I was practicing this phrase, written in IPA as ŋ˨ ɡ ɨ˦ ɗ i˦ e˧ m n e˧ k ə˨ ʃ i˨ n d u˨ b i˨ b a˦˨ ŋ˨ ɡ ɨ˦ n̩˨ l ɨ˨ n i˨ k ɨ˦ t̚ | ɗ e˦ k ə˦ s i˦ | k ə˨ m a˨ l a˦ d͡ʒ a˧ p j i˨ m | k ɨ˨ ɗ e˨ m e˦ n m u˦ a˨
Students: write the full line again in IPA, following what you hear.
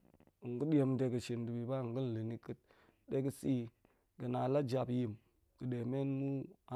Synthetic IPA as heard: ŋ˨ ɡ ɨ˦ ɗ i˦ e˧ m d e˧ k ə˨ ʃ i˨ n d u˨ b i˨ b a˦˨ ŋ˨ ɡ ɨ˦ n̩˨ l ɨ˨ n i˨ k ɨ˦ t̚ | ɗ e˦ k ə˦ s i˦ | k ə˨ n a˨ l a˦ d͡ʒ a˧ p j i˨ m | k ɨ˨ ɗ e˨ m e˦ n m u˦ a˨